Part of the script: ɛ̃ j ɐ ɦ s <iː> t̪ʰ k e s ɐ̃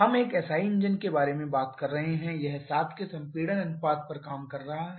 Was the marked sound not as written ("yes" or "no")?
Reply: yes